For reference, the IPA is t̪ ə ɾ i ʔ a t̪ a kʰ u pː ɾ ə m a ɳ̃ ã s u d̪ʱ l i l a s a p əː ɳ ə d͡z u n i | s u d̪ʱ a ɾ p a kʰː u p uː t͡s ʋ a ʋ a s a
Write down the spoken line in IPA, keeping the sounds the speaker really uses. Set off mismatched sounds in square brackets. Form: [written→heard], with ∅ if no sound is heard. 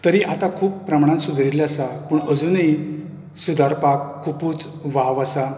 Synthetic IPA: t̪ ə ɾ i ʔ a t̪ a kʰ [u→uː] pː ɾ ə m a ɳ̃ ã s u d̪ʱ [l→ɾ] i l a s a p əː ɳ ə d͡z u n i | s u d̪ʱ a ɾ p a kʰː u p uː t͡s ʋ a ʋ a s a